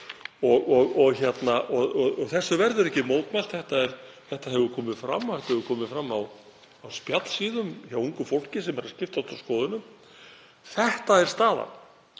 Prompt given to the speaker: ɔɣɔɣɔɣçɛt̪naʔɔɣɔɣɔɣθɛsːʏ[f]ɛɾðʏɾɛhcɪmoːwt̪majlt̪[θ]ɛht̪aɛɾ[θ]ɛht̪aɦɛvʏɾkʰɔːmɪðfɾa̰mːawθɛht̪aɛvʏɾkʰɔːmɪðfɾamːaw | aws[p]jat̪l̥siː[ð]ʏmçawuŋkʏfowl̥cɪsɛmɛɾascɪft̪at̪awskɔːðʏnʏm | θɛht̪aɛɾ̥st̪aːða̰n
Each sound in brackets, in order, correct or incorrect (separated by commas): incorrect, correct, correct, correct, correct